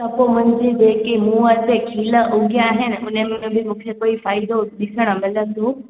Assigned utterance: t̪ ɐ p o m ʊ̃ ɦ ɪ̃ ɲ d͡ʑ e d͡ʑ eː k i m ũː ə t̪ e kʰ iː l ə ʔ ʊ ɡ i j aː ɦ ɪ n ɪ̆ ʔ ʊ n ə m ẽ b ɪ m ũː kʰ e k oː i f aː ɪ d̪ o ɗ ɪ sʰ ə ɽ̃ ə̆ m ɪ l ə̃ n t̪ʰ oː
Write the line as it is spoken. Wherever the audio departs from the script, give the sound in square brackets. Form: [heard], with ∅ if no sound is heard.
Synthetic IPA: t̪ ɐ p o m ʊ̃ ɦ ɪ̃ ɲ d͡ʑ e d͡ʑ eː k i m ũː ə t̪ e kʰ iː l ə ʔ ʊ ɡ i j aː ɦ ɪ n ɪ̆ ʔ ʊ n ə m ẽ b ɪ m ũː kʰ e k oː i f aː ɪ d̪ o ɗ ɪ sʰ ə ɽ̃ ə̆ m ɪ l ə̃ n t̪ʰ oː